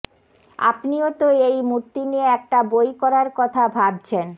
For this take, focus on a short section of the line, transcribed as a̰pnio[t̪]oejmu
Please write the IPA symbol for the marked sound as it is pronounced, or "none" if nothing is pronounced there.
t̪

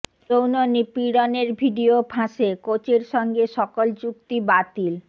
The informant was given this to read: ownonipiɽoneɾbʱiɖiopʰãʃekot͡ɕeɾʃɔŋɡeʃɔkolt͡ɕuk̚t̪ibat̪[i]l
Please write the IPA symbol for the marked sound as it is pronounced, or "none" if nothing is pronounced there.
i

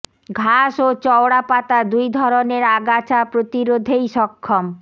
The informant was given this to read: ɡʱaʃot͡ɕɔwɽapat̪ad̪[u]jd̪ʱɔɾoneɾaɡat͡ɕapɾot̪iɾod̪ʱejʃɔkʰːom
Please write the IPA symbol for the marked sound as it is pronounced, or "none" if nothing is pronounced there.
u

